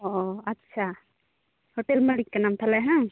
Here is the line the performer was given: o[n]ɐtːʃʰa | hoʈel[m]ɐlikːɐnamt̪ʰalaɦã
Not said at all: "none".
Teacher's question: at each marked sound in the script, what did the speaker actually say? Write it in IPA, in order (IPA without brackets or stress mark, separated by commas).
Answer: none, m